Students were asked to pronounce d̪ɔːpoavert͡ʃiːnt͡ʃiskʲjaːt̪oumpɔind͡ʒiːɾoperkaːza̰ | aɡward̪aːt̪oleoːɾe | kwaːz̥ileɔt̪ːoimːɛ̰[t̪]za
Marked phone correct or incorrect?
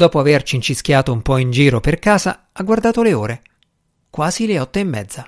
incorrect